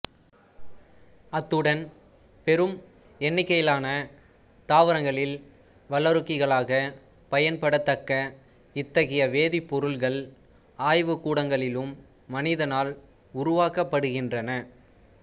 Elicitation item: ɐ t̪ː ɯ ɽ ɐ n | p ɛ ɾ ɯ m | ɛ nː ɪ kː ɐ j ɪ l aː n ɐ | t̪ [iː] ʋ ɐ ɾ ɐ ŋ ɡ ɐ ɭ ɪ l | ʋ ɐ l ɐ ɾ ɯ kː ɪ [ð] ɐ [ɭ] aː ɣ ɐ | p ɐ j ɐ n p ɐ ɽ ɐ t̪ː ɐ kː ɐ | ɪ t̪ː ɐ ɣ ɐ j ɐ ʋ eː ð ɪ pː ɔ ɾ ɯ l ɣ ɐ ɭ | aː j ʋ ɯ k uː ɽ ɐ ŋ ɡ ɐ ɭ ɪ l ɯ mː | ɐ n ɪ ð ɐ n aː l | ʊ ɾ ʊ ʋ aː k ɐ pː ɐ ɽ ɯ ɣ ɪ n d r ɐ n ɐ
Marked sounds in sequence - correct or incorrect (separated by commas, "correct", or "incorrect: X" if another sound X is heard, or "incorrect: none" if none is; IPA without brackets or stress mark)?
incorrect: aː, incorrect: ɣ, correct